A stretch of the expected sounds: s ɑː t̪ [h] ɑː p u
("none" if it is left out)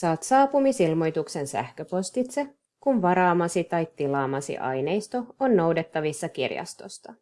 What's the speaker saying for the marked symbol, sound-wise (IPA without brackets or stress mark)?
s